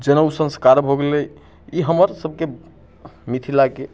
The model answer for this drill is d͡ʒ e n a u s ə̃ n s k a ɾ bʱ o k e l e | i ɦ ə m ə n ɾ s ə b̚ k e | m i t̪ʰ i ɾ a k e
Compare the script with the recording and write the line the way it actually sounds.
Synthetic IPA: d͡ʒ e n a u s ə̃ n s k a ɾ bʱ o ɡ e l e | i ɦ ə m ə ɾ s ə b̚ k e | m i t̪ʰ i l a k e